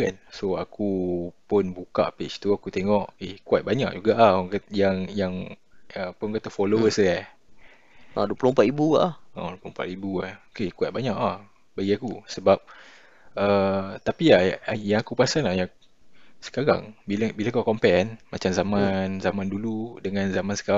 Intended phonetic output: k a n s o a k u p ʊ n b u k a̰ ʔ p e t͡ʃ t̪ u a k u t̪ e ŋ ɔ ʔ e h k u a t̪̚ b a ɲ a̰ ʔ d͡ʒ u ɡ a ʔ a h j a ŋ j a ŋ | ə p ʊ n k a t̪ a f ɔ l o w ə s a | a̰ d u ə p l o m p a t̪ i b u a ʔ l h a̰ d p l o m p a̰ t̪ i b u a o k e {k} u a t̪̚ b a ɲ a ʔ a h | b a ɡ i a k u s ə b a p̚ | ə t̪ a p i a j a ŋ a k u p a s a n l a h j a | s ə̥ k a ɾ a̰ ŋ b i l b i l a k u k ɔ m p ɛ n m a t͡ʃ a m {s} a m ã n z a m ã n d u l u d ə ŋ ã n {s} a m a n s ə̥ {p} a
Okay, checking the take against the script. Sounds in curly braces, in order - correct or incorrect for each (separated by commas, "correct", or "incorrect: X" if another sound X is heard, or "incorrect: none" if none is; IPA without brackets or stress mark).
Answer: correct, incorrect: z, incorrect: z, incorrect: k